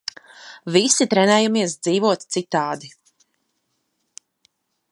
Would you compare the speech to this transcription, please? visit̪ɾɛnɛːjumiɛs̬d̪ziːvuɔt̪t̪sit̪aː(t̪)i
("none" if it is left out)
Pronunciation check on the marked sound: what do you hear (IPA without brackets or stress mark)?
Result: d̪